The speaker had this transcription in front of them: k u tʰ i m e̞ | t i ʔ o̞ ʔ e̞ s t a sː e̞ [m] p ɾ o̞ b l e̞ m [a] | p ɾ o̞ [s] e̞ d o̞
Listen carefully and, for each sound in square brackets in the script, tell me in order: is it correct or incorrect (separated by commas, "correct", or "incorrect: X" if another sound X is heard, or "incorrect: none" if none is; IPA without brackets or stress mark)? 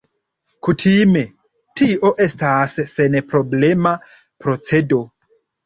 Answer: incorrect: n, correct, incorrect: t͡s